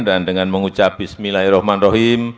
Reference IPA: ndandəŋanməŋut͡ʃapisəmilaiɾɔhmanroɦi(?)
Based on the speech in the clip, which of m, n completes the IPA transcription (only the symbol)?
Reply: m